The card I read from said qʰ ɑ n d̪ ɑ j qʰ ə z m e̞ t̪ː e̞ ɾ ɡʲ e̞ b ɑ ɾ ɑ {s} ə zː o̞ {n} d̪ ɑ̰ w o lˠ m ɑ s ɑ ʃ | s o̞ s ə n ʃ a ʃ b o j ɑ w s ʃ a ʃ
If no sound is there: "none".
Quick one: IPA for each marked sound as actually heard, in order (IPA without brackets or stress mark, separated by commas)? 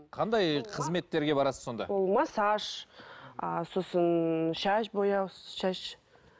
s, n